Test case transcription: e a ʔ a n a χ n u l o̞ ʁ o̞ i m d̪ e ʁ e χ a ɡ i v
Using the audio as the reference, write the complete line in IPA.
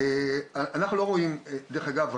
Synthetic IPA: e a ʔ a n a χ n u l o̞ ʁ o̞ i m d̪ e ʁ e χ a ɡ a v